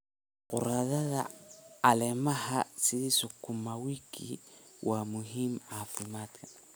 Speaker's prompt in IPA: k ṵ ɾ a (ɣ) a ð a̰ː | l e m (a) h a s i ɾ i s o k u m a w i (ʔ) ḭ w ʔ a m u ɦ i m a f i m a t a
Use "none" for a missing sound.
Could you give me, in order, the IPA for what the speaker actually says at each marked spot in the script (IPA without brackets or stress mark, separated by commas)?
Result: ð, a, k